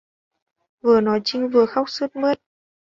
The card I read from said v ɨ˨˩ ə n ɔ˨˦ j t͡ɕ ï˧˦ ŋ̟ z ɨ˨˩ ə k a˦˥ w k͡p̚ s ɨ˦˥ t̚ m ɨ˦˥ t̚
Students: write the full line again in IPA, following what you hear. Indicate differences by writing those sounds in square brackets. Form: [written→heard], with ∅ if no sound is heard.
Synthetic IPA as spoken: v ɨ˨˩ ə n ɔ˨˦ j t͡ɕ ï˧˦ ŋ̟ [z→v] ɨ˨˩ ə [k→x] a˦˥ w k͡p̚ s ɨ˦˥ t̚ m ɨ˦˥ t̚